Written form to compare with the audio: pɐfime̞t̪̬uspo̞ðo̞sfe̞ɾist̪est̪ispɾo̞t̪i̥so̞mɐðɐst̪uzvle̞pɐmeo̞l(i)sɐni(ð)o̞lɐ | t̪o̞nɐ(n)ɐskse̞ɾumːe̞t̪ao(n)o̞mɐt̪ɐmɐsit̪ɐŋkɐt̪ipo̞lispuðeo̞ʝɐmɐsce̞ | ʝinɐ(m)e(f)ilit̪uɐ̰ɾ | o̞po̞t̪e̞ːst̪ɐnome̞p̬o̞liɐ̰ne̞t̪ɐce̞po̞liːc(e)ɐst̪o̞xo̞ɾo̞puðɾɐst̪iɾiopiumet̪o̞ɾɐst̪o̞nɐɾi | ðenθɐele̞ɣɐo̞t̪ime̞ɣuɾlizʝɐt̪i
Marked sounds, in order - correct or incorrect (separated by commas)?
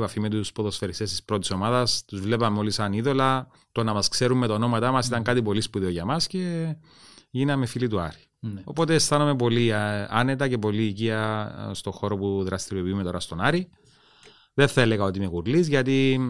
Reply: correct, correct, incorrect, correct, correct, correct, incorrect